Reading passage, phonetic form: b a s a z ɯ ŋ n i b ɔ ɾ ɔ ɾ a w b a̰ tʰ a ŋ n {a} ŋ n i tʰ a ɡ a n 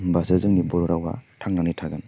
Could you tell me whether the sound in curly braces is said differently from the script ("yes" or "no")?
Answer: no